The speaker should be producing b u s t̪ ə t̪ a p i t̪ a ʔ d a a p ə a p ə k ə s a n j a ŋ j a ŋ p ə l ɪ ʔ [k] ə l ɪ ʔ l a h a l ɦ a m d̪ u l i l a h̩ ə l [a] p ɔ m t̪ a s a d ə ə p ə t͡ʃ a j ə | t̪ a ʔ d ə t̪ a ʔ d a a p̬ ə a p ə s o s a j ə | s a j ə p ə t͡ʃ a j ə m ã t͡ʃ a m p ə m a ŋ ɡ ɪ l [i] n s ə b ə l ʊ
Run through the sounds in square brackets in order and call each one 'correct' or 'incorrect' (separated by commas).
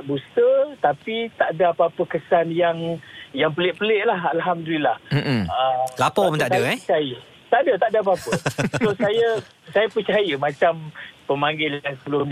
incorrect, correct, incorrect